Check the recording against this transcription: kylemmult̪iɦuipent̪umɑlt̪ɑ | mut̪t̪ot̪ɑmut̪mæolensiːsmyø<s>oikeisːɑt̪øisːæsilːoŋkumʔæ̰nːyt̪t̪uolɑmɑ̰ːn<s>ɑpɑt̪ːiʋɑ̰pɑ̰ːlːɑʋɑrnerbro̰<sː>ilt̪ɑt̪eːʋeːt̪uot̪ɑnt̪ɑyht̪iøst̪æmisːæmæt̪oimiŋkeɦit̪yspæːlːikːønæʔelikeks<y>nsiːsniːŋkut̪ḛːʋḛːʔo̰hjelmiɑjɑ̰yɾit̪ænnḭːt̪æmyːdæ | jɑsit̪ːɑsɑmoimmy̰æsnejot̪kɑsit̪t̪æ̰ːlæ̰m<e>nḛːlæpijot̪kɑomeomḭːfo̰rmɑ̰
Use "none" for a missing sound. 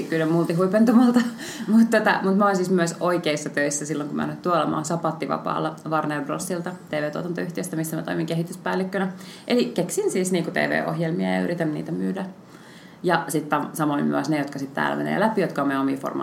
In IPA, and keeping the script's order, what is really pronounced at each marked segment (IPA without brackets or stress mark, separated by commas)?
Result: s, s, sː, i, e